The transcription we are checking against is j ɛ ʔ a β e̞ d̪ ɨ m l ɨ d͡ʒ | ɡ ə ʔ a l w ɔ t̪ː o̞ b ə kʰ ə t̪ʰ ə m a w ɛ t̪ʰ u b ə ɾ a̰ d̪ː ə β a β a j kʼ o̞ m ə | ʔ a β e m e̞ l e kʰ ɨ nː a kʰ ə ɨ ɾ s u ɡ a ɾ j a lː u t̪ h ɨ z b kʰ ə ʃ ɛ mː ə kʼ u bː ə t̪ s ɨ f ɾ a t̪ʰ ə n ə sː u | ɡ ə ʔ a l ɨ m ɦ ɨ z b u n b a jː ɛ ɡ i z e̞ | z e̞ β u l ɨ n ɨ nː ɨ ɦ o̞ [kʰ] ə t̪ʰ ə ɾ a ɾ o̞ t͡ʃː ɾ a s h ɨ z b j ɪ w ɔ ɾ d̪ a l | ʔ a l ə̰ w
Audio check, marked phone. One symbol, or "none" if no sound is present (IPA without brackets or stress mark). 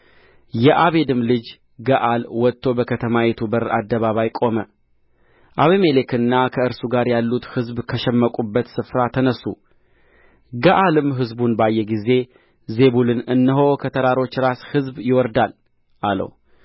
kʰ